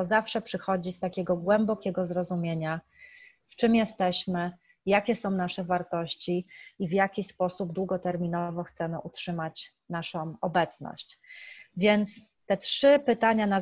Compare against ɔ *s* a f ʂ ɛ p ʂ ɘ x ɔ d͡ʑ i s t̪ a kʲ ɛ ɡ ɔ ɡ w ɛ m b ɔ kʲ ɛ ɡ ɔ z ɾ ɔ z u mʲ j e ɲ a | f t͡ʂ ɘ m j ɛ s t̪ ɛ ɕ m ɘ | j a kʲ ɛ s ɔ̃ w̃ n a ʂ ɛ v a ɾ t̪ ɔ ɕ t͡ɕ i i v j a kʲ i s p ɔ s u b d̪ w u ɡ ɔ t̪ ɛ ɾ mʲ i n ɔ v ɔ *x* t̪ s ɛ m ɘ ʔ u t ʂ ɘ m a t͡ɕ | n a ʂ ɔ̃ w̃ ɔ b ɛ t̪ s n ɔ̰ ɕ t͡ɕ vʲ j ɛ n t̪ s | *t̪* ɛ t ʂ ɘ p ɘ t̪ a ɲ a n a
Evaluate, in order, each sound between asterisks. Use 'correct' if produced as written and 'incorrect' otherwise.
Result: incorrect, correct, correct

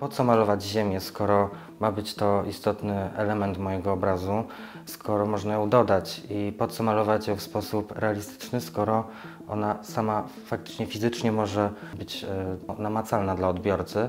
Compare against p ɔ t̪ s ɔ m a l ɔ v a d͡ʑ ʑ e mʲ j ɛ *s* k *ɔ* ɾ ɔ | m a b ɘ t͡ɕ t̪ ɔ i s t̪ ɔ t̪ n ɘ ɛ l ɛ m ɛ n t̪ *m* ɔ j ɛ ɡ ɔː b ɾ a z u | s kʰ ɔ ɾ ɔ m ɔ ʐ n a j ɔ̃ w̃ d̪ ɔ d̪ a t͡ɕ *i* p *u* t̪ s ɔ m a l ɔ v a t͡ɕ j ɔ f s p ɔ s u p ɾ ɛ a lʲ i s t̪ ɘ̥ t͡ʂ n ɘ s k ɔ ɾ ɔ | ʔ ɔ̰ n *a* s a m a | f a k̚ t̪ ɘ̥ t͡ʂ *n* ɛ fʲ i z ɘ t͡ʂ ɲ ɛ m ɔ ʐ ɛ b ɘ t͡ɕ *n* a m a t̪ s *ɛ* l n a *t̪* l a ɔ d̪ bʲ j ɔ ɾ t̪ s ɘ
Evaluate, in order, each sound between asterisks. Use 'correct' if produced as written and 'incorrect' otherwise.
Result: correct, correct, correct, correct, incorrect, correct, incorrect, correct, incorrect, incorrect

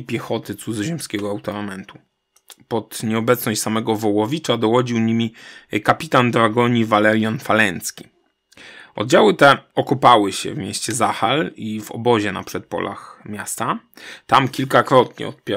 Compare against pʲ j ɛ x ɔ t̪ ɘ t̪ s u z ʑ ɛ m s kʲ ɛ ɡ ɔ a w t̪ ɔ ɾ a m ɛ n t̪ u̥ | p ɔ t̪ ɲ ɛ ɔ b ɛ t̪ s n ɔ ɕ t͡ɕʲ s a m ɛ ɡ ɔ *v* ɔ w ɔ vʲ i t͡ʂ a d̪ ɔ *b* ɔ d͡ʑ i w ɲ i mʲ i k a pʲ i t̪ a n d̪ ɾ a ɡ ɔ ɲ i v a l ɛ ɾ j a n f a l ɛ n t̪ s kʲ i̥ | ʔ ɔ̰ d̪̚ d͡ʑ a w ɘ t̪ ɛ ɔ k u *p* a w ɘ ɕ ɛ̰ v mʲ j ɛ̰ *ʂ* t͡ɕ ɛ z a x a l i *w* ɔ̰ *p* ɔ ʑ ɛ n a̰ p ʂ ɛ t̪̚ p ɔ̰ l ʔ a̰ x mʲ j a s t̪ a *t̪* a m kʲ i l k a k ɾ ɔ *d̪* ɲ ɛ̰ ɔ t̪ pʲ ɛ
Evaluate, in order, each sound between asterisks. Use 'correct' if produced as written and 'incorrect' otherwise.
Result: correct, incorrect, correct, incorrect, incorrect, incorrect, correct, incorrect

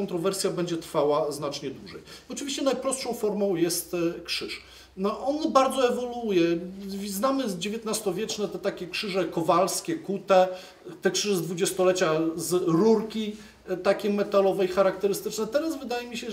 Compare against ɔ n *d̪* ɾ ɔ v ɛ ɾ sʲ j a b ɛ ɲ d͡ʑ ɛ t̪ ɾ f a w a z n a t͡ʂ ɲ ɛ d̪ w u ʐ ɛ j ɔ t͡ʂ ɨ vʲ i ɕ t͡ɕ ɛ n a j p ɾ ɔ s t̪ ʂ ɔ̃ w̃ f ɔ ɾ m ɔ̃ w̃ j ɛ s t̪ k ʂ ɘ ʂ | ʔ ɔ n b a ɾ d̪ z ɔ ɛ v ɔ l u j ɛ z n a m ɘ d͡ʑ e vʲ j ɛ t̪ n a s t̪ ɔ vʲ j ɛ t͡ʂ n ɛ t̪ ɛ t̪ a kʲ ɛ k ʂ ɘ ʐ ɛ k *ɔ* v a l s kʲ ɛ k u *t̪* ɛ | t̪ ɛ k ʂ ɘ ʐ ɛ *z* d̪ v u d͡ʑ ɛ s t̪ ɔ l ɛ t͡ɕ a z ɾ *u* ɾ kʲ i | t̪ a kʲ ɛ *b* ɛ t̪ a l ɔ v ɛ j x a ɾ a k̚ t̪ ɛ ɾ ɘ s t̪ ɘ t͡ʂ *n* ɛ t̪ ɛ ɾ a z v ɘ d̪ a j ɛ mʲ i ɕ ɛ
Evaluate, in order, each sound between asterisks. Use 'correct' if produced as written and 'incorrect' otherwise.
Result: incorrect, correct, correct, correct, correct, incorrect, correct

